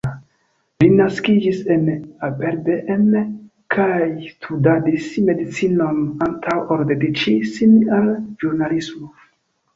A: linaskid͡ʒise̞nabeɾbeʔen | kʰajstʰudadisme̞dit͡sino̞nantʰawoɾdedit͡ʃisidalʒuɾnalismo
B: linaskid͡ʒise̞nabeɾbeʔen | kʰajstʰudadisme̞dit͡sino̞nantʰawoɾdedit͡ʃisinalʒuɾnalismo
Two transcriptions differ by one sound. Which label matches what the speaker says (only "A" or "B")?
B